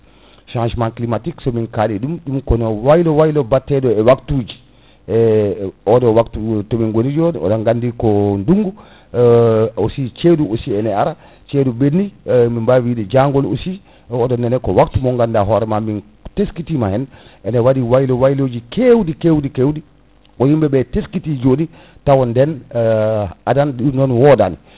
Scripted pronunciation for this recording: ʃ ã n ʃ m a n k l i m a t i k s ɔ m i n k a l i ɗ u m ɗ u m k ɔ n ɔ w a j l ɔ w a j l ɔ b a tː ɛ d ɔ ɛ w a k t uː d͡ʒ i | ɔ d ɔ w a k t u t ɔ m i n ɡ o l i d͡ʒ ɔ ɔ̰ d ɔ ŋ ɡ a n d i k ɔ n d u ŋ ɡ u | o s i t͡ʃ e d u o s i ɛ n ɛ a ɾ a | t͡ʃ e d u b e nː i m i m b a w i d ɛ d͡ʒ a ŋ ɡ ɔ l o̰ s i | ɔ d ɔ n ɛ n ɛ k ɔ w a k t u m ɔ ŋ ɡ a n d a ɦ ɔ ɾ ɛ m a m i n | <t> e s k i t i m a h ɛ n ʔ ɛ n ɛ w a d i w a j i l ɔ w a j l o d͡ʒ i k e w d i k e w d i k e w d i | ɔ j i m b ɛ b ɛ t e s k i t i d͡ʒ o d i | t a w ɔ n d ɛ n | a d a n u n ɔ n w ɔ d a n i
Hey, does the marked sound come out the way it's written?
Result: yes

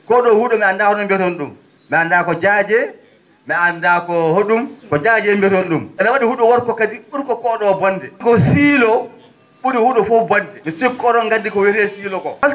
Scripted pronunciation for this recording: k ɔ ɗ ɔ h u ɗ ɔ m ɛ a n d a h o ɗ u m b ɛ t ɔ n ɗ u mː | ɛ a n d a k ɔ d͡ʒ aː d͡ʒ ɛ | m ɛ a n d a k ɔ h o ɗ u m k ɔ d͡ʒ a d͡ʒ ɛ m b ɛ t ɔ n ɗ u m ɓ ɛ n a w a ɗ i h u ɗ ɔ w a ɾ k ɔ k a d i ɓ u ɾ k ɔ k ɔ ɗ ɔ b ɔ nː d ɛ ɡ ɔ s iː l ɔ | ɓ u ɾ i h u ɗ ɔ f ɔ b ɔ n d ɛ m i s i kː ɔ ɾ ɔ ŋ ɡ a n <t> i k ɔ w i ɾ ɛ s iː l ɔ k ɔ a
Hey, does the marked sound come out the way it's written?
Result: no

